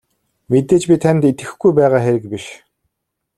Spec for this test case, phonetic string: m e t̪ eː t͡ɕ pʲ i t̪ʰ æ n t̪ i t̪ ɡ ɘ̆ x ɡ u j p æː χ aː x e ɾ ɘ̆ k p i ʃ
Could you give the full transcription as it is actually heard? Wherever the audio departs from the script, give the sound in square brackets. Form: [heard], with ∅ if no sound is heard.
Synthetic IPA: m e t̪ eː t͡ɕ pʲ i t̪ʰ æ n t̪ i t̪ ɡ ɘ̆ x ɡ u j p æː [ʁ] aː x e ɾ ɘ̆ k p i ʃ